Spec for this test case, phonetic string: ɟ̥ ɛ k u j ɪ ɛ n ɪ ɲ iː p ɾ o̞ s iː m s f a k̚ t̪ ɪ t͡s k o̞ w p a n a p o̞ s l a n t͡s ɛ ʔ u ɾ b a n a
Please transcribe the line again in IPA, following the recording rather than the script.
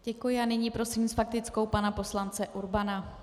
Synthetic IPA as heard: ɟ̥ ɛ k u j ɪ a n ɪ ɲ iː p ɾ o̞ s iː m s f a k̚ t̪ ɪ t͡s k o̞ w p a n a p o̞ s l a n t͡s ɛ ʔ u ɾ b a n a

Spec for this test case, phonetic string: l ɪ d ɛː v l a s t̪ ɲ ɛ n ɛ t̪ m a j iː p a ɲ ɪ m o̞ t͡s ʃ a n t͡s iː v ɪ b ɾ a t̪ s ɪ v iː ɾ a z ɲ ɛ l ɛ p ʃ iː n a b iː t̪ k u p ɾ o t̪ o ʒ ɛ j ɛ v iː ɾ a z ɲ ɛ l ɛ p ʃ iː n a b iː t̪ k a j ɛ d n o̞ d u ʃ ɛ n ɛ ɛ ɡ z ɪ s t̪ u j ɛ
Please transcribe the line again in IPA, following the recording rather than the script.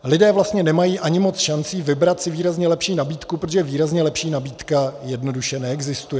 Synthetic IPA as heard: l ɪ d ɛː v l a s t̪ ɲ ɛ n ɛ m a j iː ʔ a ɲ ɪ m o̞ t͡s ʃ a n t͡s iː v ɪ b ɾ a t̪ s ɪ v iː ɾ a z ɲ ɛ l ɛ p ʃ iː n a b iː t̪ k u p ɾ o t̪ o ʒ ɛ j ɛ v iː ɾ a z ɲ ɛ l ɛ p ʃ iː n a b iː t̪ k a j ɛ d n o̞ d u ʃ ɛ n ɛ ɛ ɡ z ɪ s t̪ u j ɛ

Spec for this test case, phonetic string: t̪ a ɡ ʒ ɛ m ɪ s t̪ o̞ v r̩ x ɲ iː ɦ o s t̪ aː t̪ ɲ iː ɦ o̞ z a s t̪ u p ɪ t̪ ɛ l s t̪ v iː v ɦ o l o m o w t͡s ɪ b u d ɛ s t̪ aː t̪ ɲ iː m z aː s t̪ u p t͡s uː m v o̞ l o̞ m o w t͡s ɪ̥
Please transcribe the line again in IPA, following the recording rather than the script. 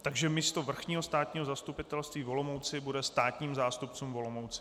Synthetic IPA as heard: t̪ a ɡ ʒ ɛ m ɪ s t̪ o̞ v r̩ x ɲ iː ɦ o s t̪ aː t̪ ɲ iː ɦ o̞ z a s t̪ u p ɪ t̪ ɛ l s t̪ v iː v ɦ o l o m o w t͡s ɪ b u d ɛ s t̪ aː t̪ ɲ iː m z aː s t̪ u p t͡s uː m v o̞ l o̞ m o w t͡s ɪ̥

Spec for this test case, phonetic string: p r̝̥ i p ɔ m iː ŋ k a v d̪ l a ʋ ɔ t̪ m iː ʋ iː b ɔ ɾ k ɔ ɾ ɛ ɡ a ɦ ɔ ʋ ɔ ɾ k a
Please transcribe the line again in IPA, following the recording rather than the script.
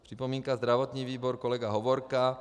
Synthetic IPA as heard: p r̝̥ i p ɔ m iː ŋ k a z d̪ ɾ a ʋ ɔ t̪ ɲ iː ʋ iː b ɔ ɾ k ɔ l ɛ ɡ a ɦ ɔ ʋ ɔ ɾ k a

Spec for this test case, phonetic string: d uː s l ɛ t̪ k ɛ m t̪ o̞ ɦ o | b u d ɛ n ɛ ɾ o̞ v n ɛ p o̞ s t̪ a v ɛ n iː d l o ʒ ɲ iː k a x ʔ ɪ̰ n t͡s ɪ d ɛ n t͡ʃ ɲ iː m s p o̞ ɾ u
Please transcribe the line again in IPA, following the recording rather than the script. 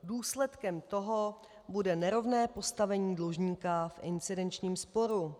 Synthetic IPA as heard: d uː s l ɛ t̪ k ɛ m t̪ o̞ ɦ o | b u d ɛ n ɛ ɾ o̞ v n ɛː p o̞ s t̪ a v ɛ ɲ iː d l o ʒ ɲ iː k a f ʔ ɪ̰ n t͡s ɪ d ɛ n t͡ʃ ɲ iː m s p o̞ ɾ u

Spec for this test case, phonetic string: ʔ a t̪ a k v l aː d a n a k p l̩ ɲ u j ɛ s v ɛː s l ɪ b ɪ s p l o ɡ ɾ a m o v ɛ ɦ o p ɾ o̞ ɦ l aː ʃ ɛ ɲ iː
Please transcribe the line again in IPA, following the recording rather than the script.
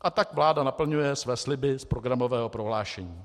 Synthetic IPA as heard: ʔ a t̪ a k v l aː d a n a p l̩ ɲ u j ɛ s v ɛː s l ɪ b ɪ s p ɾ o ɡ ɾ a m o v ɛː ɦ o p ɾ o̞ ɦ l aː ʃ ɛ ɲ iː

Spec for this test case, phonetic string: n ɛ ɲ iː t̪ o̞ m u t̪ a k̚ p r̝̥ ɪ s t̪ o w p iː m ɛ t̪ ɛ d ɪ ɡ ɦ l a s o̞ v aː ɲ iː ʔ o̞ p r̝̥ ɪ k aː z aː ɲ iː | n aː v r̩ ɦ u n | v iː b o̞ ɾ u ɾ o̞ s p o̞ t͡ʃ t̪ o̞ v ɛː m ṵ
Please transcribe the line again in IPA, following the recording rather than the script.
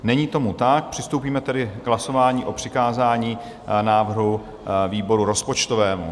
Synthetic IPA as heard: n ɛ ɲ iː t̪ o̞ m u t̪ a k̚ p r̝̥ ɪ s t̪ o w p iː m ɛ t̪ ɛ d ɪ ɡ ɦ l a s o̞ v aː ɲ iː ʔ o̞ p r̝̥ ɪ k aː z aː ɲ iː | n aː v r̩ ɦ u | v iː b o̞ ɾ u ɾ o̞ s p o̞ t͡ʃ t̪ o̞ v ɛː m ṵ

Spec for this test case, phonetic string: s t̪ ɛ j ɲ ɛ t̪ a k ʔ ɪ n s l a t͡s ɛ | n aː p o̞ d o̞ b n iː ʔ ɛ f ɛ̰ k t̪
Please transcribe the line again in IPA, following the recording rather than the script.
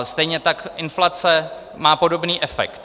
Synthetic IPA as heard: s t̪ ɛ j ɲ ɛ t̪ a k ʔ ɪ n f l a t͡s ɛ | m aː p o̞ d o̞ b n iː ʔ ɛ f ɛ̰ k t̪

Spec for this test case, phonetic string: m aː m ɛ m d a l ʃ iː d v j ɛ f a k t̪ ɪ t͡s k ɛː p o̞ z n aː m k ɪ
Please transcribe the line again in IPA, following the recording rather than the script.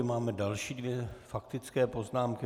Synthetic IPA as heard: m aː m ɛ d a l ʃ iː d v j ɛ f a k t̪ ɪ t͡s k ɛː p o̞ z n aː m k ɪ

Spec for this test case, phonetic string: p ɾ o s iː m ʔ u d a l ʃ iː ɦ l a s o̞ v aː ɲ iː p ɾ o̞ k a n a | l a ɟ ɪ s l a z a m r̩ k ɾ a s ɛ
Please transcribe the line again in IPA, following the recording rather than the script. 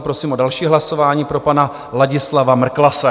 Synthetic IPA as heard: p ɾ o s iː m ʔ o d a l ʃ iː ɦ l a s o̞ v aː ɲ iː p ɾ o̞ p a n a | l a ɟ ɪ s l a v a m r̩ k l a s ɛ

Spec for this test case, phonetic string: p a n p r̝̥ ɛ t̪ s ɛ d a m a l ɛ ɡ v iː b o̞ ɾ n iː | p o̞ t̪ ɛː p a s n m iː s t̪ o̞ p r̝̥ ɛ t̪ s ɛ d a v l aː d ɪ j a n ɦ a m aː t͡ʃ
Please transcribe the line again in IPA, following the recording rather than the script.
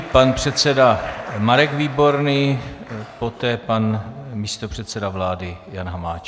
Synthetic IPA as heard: p a n p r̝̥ ɛ t̪ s ɛ d a m a ɾ ɛ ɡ v iː b o̞ ɾ n iː | p o̞ t̪ ɛː p a n m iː s t̪ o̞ p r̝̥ ɛ t̪ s ɛ d a v l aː d ɪ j a n ɦ a m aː t͡ʃ

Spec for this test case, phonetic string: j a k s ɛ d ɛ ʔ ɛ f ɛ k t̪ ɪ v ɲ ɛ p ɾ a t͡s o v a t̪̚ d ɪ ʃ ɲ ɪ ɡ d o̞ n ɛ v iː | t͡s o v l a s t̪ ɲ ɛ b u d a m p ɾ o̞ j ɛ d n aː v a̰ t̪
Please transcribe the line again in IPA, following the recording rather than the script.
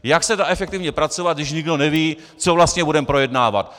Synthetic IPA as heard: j a k s ɛ d a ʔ ɛ f ɛ k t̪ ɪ v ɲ ɛ p ɾ a t͡s o v a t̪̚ d ɪ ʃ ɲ ɪ ɡ d o̞ n ɛ v iː | t͡s o v l a s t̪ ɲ ɛ b u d ɛ m p ɾ o̞ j ɛ d n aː v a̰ t̪

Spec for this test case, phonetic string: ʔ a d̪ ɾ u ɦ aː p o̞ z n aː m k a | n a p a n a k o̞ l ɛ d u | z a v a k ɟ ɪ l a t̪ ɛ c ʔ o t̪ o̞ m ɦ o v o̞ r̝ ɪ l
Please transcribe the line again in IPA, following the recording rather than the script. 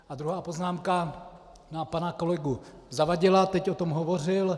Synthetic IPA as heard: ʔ a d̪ ɾ u ɦ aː p o̞ z n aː m k a | n a p a n a k o̞ l ɛ ɡ u | z a v a ɟ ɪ l a t̪ ɛ c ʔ o t̪ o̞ m ɦ o v o̞ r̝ ɪ l

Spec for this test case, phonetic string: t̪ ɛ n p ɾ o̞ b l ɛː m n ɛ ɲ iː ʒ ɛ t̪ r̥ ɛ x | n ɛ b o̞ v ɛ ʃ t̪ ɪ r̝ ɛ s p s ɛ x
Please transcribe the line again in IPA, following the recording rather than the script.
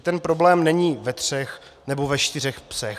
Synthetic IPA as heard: t̪ ɛ n p ɾ o̞ b l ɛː m n ɛ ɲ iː v ɛ t̪ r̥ ɛ x | n ɛ b o̞ v ɛ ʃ t̪ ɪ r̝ ɛ x p s ɛ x

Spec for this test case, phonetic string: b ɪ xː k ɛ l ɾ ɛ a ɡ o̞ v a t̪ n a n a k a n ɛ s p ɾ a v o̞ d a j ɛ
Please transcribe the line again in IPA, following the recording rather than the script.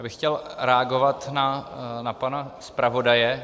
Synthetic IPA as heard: b ɪ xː c ɛ l ɾ ɛ a ɡ o̞ v a t̪ n a n a p a n a s p ɾ a v o̞ d a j ɛ

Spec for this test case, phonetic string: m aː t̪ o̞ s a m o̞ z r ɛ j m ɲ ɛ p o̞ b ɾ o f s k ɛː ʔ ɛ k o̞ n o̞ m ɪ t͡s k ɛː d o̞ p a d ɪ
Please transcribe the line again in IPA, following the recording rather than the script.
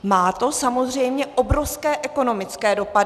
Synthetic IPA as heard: m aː t̪ o̞ s a m o̞ z r ɛ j m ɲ ɛ ʔ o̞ b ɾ o f s k ɛː ʔ ɛ k o̞ n o̞ m ɪ t͡s k ɛː d o̞ p a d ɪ

